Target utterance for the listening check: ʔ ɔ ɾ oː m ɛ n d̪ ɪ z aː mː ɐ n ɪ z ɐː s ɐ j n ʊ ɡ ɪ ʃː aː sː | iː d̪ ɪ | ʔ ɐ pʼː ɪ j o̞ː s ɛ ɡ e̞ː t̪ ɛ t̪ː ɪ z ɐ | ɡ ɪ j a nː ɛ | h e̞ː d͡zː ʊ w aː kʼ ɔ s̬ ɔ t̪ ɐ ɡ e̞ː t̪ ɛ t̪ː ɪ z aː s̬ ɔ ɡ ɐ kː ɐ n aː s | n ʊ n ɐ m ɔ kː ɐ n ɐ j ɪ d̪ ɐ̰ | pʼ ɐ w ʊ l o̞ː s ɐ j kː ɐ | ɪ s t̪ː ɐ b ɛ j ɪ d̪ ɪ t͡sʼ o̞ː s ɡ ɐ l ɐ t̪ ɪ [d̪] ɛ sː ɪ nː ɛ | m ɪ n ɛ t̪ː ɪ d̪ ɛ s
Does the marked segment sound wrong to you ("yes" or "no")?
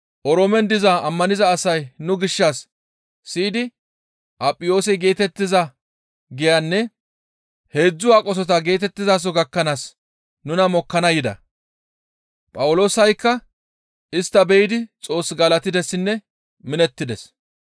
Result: no